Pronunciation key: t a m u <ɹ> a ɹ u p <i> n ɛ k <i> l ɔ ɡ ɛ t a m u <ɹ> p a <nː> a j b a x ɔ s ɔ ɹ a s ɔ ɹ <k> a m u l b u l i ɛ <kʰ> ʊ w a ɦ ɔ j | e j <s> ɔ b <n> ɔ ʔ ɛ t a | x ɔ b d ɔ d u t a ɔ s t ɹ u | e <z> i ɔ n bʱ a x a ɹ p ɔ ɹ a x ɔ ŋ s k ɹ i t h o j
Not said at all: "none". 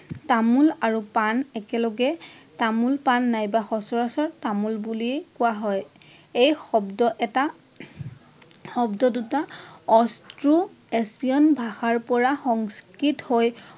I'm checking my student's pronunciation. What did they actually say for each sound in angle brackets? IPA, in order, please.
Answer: l, a, ɛ, l, nː, t, k, x, d, s

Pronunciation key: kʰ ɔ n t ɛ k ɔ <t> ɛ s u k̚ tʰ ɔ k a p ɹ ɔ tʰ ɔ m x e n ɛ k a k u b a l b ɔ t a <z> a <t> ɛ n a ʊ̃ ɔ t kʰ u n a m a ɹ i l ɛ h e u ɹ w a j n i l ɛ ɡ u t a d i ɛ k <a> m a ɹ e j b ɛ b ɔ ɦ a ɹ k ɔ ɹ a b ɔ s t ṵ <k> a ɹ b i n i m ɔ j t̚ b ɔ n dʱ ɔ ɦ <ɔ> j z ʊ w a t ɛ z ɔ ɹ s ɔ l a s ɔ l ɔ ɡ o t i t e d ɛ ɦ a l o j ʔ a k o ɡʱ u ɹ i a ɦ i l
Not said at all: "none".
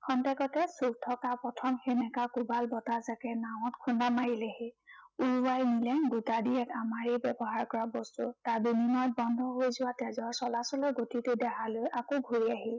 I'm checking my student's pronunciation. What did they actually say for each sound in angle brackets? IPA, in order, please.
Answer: t, z, k, a, t, o

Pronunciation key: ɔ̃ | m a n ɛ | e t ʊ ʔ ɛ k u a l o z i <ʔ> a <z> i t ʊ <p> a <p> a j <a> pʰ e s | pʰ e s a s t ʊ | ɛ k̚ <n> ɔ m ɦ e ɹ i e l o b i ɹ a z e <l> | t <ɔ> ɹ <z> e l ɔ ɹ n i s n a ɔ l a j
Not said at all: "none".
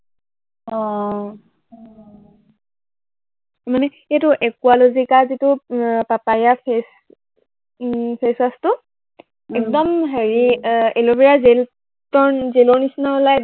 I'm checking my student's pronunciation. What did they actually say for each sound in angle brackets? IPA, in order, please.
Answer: k, z, p, p, a, d, l, ɔ, z

